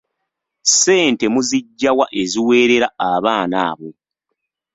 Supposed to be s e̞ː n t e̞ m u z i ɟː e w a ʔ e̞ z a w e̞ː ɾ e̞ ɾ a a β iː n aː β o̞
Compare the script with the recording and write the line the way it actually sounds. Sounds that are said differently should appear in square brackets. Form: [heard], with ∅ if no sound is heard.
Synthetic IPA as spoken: s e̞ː n t e̞ m u z i ɟː [a] w a ʔ e̞ z [i] w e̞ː ɾ e̞ ɾ a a β [aː] n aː β o̞

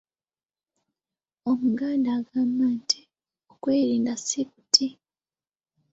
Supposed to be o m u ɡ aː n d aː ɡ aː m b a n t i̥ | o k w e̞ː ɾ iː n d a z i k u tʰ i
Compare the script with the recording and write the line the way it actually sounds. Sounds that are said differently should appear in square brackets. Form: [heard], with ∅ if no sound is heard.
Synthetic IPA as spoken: o m u ɡ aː n d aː ɡ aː m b a n t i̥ | o k w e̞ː ɾ iː n d a [s] i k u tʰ i

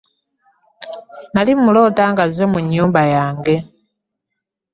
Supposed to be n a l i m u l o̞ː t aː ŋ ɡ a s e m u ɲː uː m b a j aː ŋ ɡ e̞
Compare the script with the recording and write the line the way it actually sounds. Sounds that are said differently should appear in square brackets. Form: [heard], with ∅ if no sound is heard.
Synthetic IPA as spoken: n a l i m u l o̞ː t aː ŋ ɡ a [z] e m u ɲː uː m b a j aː ŋ ɡ e̞

